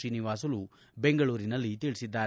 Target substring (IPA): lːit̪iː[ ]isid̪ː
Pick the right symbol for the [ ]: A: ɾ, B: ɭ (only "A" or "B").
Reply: B